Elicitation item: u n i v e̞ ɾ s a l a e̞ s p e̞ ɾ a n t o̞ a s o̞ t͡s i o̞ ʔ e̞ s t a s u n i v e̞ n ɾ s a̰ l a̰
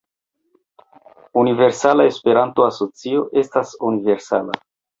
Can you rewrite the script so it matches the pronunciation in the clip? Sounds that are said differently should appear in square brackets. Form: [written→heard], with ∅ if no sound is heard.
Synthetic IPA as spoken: u n i v e̞ ɾ s a l a e̞ s p e̞ ɾ a n t o̞ a s o̞ t͡s i o̞ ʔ e̞ s t a s u n i v e̞ [n→∅] ɾ s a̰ l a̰